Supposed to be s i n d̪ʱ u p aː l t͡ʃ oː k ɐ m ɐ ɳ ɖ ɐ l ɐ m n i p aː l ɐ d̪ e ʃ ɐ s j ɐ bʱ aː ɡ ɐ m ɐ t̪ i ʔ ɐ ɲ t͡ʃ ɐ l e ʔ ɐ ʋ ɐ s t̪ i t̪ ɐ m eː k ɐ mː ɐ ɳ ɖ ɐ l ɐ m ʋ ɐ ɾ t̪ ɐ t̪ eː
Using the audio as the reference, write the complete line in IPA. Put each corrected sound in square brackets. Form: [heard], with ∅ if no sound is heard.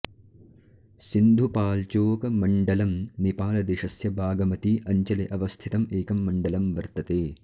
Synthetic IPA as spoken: s i n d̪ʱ u p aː l t͡ʃ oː k ɐ m ɐ ɳ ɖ ɐ l ɐ m n i p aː l ɐ d̪ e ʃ ɐ s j ɐ bʱ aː ɡ ɐ m ɐ t̪ i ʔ ɐ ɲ t͡ʃ ɐ l e ʔ ɐ ʋ ɐ s [t̪ʰ] i t̪ ɐ m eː k ɐ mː ɐ ɳ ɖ ɐ l ɐ m ʋ ɐ ɾ t̪ ɐ t̪ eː